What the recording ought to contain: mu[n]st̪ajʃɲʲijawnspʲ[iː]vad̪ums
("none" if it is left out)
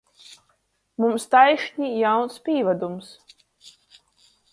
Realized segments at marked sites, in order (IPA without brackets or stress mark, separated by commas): m, iː